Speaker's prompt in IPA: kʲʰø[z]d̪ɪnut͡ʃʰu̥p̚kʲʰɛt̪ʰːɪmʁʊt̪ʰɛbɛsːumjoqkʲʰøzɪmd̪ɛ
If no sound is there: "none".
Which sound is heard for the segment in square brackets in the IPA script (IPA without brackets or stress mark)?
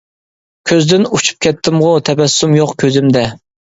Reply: z